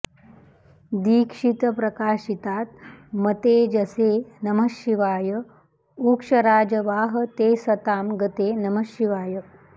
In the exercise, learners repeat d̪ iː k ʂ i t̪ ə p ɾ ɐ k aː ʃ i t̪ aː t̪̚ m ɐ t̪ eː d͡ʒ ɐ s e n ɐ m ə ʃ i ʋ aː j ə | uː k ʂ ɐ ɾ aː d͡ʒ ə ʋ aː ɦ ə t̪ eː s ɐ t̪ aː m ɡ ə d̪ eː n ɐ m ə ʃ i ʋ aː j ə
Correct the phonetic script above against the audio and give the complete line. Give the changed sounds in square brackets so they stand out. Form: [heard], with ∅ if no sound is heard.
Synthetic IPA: d̪ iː k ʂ i t̪ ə p ɾ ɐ k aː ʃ i t̪ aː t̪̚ m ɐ t̪ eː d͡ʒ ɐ s e n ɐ m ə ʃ i ʋ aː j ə | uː k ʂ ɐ ɾ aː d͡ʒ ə ʋ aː ɦ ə t̪ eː s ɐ t̪ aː m ɡ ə [t̪] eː n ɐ m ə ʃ i ʋ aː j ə

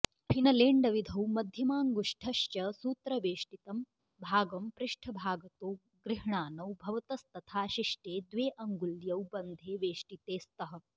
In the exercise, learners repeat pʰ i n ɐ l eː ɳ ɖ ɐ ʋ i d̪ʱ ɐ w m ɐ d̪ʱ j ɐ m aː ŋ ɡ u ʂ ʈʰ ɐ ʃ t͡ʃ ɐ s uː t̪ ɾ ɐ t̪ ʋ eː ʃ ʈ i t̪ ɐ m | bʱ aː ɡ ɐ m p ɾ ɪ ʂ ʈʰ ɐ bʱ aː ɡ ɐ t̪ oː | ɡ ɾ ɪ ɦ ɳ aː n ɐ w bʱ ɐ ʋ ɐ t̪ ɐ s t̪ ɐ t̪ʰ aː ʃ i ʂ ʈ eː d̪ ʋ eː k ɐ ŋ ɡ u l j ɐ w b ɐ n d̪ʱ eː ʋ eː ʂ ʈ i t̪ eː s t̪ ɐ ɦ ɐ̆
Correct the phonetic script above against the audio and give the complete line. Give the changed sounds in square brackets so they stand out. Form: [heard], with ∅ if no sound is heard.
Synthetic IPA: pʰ i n ɐ l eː ɳ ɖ ɐ ʋ i d̪ʱ ɐ w m ɐ d̪ʱ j ɐ m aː ŋ ɡ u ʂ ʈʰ ɐ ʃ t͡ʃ ɐ s uː t̪ ɾ ɐ [∅] ʋ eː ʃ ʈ i t̪ ɐ m | bʱ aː ɡ ɐ m p ɾ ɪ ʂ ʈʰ ɐ bʱ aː ɡ ɐ t̪ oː | ɡ ɾ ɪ ɦ ɳ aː n ɐ w bʱ ɐ ʋ ɐ t̪ ɐ s t̪ ɐ t̪ʰ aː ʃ i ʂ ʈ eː d̪ ʋ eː [ʔ] ɐ ŋ ɡ u l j ɐ w b ɐ n d̪ʱ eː ʋ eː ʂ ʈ i t̪ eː s t̪ ɐ ɦ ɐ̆

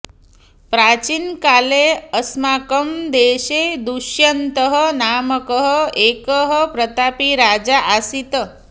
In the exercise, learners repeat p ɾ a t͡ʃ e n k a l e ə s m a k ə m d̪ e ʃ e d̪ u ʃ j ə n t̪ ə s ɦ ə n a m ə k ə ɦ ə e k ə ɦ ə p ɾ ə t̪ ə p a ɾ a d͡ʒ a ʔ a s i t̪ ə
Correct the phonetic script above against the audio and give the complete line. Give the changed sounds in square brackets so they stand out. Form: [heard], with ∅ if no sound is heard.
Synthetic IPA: p ɾ a t͡ʃ [i] n k a l e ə s m a k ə m d̪ e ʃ e d̪ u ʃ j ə n t̪ ə [∅] ɦ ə n a m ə k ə ɦ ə e k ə ɦ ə p ɾ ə t̪ [a] p [i] ɾ a d͡ʒ a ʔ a s i t̪ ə

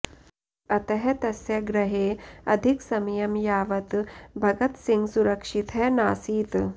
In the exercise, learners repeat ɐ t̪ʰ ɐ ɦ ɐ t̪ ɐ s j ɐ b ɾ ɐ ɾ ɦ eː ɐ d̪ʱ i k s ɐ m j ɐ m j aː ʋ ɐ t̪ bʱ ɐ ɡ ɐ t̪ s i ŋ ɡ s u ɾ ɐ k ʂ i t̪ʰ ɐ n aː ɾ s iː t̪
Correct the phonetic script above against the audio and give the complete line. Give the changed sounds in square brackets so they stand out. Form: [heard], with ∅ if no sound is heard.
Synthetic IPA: ɐ [t̪] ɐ ɦ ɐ t̪ ɐ s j ɐ [ɡ] ɾ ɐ [∅] ɦ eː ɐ d̪ʱ i k s ɐ m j ɐ m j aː ʋ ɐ t̪ bʱ ɐ ɡ ɐ t̪ s i ŋ ɡ s u ɾ ɐ k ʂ i t̪ʰ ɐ n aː [∅] s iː t̪

